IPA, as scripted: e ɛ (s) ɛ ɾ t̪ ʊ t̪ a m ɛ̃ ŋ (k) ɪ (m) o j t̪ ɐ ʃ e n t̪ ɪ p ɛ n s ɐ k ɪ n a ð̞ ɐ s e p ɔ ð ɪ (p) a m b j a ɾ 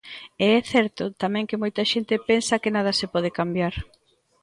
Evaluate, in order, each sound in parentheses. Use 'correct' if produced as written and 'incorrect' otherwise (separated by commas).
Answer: incorrect, correct, correct, incorrect